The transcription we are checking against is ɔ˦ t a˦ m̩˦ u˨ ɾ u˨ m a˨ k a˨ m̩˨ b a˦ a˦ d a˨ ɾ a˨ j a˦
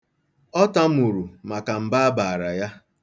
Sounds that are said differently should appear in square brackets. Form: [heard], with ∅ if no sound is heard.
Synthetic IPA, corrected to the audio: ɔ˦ t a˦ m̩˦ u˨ ɾ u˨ m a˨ k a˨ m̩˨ b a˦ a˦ [b] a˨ ɾ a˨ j a˦